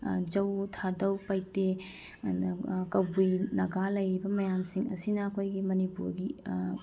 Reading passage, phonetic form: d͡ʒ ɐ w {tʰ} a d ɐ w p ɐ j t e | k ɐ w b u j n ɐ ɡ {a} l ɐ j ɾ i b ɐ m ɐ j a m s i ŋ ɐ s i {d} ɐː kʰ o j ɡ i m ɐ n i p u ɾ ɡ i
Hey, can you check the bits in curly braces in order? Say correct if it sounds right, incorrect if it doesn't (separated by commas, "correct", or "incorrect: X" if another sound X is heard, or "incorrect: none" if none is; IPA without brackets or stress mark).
correct, correct, incorrect: n